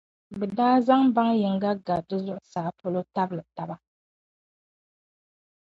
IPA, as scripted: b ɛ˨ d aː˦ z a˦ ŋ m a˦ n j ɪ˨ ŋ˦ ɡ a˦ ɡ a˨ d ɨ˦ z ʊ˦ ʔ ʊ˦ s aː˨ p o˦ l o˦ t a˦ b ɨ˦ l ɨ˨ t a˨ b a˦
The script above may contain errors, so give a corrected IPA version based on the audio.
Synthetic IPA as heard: b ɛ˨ d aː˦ z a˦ ŋ b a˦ ŋ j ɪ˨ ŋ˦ ɡ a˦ ɡ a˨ d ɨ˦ z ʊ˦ ʔ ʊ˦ s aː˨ p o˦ l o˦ t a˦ b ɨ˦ l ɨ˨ t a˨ b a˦